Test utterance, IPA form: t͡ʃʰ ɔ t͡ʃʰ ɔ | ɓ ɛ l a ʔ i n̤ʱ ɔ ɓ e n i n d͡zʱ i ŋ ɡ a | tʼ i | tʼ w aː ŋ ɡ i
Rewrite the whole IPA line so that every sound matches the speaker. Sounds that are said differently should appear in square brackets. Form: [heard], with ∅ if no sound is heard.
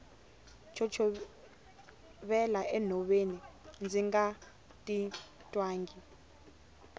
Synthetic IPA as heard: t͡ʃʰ ɔ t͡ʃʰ ɔ | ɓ ɛ l a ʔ [ɛ] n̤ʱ ɔ ɓ e n i n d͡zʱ i ŋ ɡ a | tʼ i | tʼ w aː ŋ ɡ i